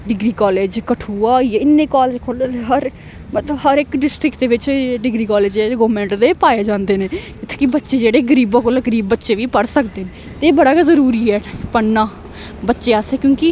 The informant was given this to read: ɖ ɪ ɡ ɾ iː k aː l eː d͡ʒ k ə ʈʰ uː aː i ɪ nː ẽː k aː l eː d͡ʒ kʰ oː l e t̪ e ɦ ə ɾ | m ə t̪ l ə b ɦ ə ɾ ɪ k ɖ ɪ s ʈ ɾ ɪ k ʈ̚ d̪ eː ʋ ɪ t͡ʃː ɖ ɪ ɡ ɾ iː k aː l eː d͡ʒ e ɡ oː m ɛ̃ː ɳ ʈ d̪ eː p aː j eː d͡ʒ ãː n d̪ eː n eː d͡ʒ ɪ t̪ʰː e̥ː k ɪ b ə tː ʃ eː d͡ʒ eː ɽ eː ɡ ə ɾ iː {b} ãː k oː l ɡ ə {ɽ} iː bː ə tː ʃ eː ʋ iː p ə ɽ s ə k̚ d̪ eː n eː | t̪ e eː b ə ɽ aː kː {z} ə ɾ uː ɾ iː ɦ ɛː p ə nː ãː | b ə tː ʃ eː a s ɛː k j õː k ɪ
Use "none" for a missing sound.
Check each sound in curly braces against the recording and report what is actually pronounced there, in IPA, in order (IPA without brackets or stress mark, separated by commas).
b, ɾ, z